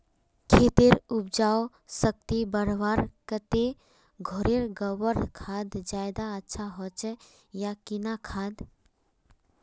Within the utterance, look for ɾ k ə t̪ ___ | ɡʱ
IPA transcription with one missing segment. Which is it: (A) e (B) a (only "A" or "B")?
A